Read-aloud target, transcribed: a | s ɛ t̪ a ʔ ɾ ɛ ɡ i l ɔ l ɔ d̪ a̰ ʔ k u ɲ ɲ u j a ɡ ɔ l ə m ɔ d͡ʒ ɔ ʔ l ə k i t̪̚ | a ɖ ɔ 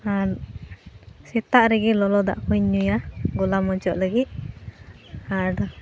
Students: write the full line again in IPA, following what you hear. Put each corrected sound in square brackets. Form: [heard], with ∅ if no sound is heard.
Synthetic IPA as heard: a | s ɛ t̪ a ʔ ɾ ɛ ɡ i l ɔ l ɔ d̪ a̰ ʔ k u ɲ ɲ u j a ɡ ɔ l [a] m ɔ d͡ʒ ɔ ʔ l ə [ɡ] i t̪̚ | a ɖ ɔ